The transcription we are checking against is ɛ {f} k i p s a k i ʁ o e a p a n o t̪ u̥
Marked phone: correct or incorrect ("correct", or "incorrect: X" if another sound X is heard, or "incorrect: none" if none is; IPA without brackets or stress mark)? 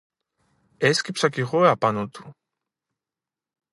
incorrect: s